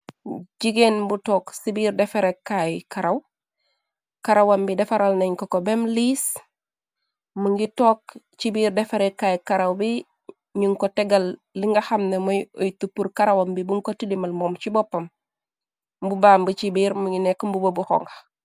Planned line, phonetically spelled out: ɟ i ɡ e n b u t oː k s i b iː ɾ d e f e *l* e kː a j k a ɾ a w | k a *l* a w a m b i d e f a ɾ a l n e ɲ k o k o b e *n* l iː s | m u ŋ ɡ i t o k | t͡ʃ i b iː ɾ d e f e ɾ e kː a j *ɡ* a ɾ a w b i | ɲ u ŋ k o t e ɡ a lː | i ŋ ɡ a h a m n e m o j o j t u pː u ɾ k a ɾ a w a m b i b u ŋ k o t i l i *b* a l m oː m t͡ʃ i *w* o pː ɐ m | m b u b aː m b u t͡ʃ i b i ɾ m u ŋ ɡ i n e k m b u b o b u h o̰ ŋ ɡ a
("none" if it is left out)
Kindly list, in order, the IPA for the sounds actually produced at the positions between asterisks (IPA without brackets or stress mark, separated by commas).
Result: ɾ, ɾ, m, k, m, b